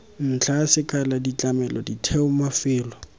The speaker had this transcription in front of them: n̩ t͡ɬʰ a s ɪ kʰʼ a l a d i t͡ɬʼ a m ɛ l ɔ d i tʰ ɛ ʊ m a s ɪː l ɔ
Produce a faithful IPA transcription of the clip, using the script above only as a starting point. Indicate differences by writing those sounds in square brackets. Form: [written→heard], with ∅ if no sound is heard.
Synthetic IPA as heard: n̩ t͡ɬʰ a s ɪ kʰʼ a l a d i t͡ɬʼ a m ɛ l ɔ d i tʰ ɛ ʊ m a [s→f] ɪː l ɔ